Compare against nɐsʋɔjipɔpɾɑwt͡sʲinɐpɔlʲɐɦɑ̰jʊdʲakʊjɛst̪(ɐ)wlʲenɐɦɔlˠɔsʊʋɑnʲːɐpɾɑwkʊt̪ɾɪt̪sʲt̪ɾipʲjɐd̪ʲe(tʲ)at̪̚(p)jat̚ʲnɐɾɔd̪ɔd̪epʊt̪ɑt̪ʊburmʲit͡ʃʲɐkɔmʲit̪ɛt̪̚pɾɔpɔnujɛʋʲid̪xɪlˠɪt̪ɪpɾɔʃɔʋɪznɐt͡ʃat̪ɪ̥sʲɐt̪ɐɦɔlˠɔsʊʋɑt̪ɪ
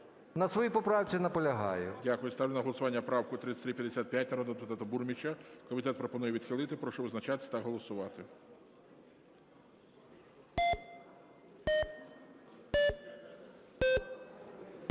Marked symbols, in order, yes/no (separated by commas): no, no, yes